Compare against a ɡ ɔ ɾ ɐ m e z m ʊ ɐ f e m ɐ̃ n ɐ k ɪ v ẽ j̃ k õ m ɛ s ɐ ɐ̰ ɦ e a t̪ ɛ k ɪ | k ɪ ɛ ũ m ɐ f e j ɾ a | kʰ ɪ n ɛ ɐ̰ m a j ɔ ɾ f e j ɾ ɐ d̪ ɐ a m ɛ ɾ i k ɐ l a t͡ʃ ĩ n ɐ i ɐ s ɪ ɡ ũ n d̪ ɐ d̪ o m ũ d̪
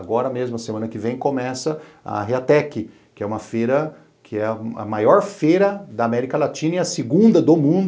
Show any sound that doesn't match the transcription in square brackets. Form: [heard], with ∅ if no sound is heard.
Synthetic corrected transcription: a ɡ ɔ ɾ ɐ m e z m ʊ ɐ [s] e m ɐ̃ n ɐ k ɪ v ẽ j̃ k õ m ɛ s ɐ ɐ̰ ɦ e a t̪ ɛ k ɪ | k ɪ ɛ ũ m ɐ f e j ɾ [ɐ] | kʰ ɪ [∅] ɛ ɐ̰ m a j ɔ ɾ f e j ɾ ɐ d̪ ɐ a m ɛ ɾ i k ɐ l a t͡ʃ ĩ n ɐ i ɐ s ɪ ɡ ũ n d̪ ɐ d̪ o m ũ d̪